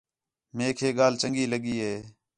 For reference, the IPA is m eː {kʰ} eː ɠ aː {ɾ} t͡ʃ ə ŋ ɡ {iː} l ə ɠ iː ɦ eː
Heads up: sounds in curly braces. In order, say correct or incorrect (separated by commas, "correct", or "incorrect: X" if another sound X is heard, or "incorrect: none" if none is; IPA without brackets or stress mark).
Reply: correct, incorrect: l, correct